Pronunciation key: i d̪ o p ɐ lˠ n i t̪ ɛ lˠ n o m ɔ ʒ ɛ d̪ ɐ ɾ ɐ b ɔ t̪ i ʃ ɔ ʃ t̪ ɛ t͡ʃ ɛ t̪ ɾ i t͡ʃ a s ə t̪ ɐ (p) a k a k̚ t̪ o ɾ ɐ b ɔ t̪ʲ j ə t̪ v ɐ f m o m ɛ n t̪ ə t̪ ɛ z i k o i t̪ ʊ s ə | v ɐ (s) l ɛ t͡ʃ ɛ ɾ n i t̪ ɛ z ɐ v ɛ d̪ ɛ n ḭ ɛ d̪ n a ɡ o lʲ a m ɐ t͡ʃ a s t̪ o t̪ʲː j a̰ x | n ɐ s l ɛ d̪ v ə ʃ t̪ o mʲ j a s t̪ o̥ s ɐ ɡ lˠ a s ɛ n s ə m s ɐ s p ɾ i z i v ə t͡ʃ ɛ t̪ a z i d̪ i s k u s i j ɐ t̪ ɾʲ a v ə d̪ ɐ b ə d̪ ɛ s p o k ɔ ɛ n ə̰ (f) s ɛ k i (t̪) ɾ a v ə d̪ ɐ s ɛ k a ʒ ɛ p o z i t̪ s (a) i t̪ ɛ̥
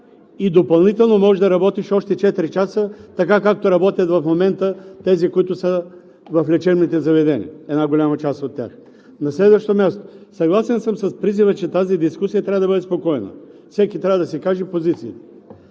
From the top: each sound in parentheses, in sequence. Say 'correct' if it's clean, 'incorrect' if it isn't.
incorrect: k, incorrect: f, correct, correct, incorrect: i

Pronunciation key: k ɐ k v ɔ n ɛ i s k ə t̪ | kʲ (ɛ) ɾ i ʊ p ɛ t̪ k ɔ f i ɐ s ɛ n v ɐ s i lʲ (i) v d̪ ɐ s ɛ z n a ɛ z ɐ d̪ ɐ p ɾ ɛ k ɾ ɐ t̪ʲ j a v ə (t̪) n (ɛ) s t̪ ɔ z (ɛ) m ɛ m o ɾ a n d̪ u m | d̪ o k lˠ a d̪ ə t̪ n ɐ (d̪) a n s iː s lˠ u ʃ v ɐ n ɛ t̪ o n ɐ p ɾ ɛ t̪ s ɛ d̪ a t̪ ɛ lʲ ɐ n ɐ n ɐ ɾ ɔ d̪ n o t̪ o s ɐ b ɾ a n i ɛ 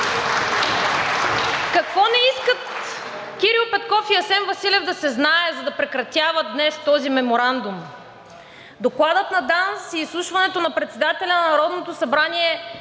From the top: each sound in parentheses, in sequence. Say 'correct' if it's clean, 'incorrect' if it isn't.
incorrect: i, incorrect: ɛ, incorrect: d̪, correct, incorrect: i, correct

